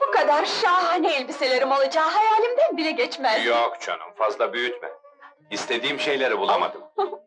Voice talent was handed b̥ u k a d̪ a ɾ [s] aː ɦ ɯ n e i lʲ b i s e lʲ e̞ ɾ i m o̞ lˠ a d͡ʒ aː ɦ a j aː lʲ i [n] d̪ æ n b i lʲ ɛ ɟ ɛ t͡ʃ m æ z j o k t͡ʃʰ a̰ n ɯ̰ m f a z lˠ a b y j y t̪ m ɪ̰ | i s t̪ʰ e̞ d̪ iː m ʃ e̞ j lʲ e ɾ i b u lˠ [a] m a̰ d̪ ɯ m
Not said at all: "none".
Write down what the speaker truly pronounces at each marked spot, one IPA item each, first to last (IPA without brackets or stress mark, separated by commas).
ʃ, m, a